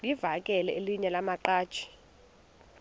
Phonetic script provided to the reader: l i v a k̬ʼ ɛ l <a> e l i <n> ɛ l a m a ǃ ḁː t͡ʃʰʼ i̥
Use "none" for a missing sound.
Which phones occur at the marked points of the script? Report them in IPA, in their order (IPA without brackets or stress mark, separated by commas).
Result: ɛ, ɲ